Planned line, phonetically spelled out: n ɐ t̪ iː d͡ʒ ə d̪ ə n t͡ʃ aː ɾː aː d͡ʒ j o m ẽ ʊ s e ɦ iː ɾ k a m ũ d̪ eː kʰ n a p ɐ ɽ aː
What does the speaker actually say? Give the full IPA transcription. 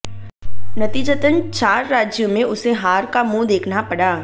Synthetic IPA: n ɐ t̪ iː d͡ʒ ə t̪ ə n t͡ʃ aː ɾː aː d͡ʒ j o m ẽ ʊ s e ɦ aː ɾ k a m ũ d̪ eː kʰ n a p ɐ ɽ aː